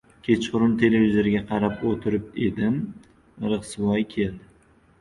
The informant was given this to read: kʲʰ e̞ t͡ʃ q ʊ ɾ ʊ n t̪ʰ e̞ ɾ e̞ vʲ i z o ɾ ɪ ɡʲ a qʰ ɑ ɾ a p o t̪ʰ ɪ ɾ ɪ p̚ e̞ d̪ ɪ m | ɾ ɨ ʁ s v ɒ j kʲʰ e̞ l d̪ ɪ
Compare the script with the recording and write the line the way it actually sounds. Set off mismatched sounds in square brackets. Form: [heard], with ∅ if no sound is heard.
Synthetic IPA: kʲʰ e̞ t͡ʃ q ʊ ɾ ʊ n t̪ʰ e̞ [l] e̞ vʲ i z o ɾ ɪ ɡʲ a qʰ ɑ ɾ a p o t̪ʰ ɪ ɾ ɪ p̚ e̞ d̪ ɪ m | ɾ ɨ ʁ s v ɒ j kʲʰ e̞ l d̪ ɪ